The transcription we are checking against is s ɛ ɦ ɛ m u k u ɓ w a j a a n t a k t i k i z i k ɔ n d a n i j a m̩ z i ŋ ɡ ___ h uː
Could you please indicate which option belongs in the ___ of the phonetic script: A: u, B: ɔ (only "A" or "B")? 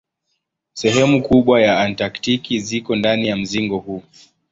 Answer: B